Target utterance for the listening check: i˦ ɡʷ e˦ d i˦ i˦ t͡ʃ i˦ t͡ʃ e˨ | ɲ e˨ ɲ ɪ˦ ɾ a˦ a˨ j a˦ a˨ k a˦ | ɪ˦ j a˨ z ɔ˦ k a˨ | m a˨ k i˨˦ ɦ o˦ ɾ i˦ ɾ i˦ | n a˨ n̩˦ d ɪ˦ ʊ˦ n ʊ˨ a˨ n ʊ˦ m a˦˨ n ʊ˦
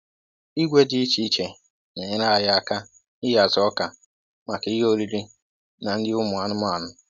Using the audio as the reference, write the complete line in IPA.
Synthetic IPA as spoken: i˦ ɡʷ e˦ d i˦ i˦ t͡ʃ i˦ t͡ʃ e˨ | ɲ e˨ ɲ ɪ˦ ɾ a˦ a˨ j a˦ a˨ k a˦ | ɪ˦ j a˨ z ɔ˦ k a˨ | m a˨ k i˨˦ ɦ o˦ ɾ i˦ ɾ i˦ | n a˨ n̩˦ d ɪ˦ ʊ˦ m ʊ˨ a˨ n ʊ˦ m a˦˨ n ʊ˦